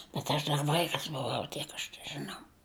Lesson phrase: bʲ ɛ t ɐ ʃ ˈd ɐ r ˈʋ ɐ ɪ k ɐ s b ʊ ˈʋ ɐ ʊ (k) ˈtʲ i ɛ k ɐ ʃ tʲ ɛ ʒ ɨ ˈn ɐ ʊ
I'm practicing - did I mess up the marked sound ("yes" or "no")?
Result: yes